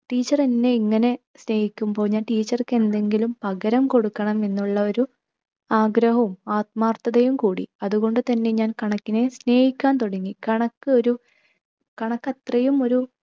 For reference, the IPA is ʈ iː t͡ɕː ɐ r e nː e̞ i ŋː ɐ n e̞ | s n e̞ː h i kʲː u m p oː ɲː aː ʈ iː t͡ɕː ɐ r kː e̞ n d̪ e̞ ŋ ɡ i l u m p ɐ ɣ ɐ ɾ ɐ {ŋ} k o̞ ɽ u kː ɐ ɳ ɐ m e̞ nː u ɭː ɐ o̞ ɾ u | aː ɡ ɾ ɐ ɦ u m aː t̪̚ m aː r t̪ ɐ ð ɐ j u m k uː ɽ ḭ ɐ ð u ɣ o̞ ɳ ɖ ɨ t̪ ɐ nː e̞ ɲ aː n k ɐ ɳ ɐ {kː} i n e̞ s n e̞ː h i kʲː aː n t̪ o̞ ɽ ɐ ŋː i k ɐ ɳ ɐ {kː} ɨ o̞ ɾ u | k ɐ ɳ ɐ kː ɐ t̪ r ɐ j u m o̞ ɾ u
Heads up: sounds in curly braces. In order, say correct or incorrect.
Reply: incorrect, correct, correct

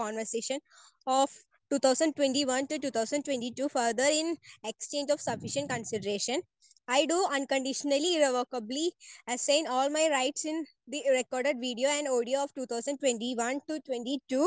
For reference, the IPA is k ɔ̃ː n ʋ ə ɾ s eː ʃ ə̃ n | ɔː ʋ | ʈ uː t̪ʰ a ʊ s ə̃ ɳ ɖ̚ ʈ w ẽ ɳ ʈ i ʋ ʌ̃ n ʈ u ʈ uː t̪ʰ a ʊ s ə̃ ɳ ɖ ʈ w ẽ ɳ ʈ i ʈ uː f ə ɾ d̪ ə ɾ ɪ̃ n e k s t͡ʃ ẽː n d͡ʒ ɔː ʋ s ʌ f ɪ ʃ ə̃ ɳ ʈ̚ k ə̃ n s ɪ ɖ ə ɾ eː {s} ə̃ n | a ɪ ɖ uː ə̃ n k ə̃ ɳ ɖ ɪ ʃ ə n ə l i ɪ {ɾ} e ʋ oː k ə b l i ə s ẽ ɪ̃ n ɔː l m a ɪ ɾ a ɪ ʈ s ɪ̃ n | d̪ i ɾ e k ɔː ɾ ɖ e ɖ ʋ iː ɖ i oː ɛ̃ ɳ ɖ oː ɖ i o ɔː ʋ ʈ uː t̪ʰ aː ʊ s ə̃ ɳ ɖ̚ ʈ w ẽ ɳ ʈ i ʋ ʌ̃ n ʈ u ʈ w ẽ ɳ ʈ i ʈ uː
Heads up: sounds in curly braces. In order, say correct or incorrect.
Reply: incorrect, correct

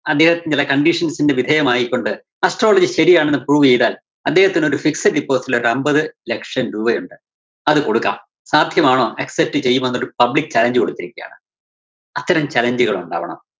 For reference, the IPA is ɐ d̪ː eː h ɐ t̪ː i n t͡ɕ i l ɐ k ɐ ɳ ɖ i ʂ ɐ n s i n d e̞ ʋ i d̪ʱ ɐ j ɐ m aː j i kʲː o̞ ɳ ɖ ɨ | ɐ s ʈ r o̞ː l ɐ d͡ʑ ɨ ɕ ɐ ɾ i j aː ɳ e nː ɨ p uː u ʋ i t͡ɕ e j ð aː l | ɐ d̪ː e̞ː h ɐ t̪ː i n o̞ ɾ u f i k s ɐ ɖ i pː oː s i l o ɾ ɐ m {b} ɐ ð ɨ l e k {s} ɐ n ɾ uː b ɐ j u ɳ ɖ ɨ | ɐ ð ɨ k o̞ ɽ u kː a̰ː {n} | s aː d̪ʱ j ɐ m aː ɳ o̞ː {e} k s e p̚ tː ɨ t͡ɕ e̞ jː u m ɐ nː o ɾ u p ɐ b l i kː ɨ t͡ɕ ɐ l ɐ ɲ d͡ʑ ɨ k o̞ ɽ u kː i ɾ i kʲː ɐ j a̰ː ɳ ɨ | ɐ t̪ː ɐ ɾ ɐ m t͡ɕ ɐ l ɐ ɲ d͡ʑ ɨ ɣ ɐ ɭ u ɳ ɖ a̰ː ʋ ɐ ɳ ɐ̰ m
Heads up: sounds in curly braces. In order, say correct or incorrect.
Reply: correct, incorrect, incorrect, correct

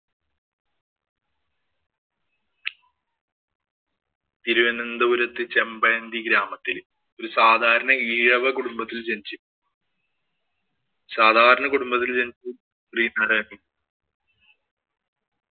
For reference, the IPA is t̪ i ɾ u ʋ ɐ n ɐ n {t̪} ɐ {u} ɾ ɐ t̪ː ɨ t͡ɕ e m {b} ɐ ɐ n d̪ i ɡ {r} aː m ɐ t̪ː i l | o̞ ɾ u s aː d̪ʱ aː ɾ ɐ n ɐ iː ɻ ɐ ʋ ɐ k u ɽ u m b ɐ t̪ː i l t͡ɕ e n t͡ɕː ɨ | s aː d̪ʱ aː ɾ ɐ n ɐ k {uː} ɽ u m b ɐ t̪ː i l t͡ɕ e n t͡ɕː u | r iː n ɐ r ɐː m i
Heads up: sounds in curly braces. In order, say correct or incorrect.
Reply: incorrect, correct, correct, incorrect, incorrect

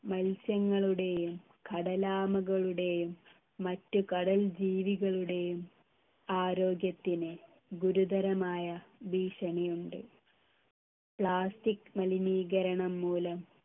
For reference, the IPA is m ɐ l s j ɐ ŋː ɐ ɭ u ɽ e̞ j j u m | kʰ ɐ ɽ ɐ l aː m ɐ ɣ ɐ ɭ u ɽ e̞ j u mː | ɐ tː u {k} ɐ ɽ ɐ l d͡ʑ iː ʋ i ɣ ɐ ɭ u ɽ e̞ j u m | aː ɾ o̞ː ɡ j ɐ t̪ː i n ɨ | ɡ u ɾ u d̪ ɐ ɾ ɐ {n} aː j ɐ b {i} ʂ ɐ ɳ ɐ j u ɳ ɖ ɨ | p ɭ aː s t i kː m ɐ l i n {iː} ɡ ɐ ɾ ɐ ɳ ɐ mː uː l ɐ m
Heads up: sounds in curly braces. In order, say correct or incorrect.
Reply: correct, incorrect, incorrect, correct

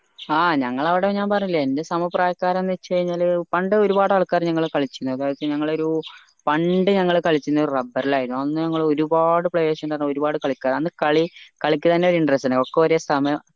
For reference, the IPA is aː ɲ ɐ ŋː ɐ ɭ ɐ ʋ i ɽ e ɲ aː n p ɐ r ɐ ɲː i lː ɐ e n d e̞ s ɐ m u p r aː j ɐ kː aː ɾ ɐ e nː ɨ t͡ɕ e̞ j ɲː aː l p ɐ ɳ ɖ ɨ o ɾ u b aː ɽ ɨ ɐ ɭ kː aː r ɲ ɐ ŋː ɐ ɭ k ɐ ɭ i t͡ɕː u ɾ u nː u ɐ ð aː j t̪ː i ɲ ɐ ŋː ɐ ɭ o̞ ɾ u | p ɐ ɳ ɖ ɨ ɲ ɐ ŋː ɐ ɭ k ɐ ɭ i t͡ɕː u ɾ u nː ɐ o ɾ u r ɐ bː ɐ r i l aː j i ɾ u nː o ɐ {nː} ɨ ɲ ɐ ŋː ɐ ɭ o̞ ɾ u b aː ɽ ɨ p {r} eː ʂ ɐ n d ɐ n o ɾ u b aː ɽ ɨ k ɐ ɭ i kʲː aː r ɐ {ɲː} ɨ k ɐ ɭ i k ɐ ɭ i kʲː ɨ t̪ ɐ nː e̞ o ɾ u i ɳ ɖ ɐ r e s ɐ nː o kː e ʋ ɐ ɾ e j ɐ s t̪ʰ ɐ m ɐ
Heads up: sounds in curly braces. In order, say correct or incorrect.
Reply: correct, incorrect, incorrect

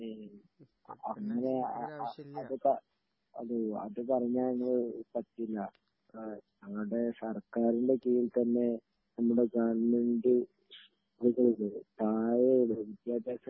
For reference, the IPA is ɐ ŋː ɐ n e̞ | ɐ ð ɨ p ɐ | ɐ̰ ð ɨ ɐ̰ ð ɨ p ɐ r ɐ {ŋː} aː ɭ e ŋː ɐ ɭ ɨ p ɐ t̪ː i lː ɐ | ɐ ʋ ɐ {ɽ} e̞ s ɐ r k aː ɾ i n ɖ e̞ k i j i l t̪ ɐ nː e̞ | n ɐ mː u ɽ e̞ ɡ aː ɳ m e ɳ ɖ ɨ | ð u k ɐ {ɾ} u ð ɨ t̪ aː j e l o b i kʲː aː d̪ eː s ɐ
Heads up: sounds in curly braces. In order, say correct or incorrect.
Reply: incorrect, correct, incorrect

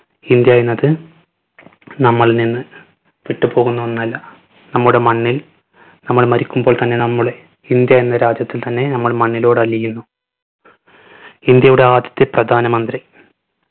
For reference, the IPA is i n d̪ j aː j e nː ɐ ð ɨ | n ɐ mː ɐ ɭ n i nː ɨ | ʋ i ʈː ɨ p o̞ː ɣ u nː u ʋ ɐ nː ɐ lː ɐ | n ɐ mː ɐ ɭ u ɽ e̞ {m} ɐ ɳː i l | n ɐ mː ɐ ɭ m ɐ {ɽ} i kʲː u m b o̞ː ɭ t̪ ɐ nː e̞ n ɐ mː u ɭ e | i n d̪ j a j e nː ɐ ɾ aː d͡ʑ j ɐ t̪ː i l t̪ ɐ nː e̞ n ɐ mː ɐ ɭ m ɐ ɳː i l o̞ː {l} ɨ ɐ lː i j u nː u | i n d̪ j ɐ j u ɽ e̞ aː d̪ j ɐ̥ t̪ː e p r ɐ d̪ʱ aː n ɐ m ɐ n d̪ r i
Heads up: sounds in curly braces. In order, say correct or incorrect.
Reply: correct, incorrect, incorrect

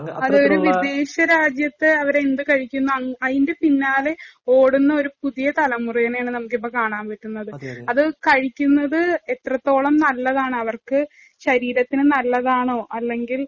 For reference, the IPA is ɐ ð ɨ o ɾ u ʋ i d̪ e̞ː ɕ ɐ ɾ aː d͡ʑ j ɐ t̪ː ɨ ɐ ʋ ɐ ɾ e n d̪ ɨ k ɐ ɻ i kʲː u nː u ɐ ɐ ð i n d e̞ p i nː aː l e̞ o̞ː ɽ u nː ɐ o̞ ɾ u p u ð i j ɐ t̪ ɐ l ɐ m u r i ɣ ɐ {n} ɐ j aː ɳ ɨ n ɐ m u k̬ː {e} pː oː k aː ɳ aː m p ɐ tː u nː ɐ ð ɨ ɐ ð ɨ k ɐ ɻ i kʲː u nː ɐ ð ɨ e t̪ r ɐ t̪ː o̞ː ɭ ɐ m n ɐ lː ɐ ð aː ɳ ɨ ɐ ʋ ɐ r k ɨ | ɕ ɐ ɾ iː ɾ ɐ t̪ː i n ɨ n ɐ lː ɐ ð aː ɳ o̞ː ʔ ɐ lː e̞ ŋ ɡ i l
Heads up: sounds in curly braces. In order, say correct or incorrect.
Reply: correct, incorrect

